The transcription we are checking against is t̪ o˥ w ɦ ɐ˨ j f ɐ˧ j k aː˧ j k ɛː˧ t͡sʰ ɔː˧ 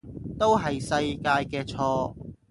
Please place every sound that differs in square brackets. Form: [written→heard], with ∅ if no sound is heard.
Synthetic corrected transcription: t̪ o˥ w ɦ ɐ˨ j [f→s] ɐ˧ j k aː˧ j k ɛː˧ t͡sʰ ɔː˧